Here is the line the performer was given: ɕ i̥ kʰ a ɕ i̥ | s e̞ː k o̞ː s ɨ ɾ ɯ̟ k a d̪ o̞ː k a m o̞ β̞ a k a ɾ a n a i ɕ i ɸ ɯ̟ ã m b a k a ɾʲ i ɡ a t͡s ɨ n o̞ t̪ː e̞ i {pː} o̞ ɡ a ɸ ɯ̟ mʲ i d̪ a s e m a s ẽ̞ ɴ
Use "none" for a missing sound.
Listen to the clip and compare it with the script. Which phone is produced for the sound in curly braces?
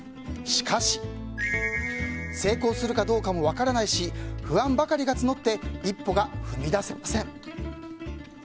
pː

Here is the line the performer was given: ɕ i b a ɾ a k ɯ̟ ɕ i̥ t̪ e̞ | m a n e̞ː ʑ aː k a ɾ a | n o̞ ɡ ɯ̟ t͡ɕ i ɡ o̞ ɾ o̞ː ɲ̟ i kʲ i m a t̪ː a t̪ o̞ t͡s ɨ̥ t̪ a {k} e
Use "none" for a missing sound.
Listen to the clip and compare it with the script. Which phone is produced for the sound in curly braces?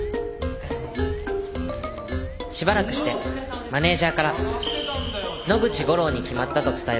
none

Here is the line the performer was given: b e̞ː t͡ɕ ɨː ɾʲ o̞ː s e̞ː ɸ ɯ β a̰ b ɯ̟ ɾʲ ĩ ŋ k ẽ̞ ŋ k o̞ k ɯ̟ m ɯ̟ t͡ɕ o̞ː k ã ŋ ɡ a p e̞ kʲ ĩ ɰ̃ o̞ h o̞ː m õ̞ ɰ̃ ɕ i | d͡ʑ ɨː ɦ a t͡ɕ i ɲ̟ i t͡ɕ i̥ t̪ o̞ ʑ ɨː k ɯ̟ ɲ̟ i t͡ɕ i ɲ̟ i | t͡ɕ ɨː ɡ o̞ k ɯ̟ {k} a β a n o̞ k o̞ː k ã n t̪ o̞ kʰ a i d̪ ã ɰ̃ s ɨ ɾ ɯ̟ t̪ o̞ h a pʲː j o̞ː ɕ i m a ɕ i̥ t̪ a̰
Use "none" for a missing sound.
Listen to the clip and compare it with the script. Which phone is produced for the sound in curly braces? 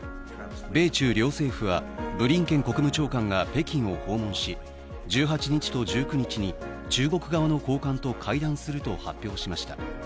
ɡ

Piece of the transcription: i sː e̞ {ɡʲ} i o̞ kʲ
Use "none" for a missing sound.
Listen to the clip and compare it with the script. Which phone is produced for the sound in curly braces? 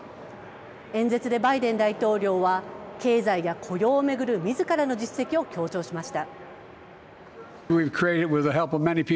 kʲ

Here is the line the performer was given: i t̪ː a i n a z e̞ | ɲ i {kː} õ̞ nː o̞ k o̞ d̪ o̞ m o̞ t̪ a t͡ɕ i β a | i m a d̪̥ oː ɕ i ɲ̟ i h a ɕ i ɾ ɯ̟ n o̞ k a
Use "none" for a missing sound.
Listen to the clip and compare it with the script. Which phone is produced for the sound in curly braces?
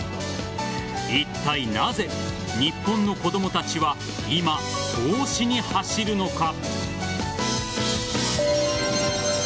pː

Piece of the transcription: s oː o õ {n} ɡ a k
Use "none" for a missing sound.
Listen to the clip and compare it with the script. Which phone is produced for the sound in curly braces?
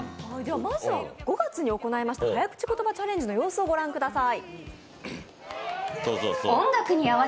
ŋ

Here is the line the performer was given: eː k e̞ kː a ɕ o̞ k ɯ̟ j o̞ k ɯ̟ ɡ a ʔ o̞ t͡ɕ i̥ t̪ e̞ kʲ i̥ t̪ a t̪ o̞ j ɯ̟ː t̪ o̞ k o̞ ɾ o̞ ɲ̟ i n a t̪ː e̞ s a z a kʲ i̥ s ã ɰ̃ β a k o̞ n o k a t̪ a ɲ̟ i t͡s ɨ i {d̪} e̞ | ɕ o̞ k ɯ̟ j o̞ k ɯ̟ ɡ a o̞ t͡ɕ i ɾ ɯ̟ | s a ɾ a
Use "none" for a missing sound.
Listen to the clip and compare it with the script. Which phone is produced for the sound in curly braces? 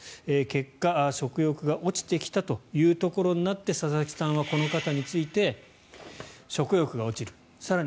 t̪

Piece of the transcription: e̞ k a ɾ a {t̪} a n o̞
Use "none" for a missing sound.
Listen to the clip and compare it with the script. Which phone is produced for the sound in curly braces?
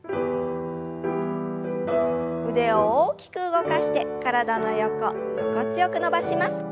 d̪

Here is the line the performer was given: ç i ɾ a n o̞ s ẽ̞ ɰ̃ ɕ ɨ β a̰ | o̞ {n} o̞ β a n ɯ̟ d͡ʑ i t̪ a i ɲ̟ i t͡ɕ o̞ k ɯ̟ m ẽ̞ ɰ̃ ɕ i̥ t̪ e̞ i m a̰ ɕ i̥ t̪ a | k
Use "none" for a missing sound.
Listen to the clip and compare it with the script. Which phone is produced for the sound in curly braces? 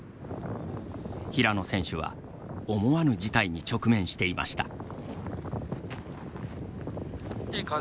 m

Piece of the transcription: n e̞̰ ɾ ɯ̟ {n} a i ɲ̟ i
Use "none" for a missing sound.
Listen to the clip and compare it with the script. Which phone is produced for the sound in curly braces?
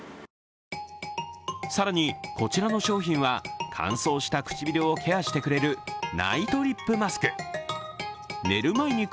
m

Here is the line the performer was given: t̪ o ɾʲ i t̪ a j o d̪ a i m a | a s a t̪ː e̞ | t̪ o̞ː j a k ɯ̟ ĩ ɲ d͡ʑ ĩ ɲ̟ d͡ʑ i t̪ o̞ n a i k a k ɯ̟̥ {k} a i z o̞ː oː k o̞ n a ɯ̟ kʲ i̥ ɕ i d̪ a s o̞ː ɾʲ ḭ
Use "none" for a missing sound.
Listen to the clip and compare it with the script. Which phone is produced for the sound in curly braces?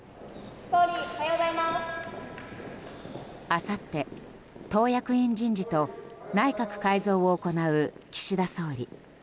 k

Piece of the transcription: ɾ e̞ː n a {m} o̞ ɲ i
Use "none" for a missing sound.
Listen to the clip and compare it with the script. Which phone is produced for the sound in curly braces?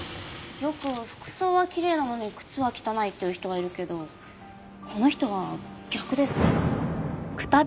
n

